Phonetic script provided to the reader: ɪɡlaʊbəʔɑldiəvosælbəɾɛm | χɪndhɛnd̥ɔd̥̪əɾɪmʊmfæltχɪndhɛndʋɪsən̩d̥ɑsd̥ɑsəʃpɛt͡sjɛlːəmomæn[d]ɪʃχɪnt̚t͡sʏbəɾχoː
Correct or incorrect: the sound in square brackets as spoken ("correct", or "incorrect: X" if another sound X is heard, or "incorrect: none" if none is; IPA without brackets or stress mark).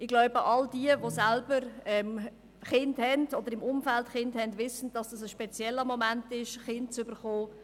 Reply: incorrect: t